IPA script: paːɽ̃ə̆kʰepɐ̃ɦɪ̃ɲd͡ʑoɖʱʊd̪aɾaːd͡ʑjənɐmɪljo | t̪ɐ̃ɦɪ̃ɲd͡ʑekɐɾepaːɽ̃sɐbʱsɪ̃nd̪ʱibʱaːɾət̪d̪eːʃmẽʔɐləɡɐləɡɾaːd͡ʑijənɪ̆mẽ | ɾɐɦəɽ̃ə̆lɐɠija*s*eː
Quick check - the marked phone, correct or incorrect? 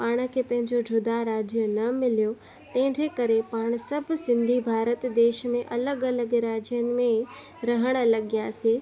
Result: correct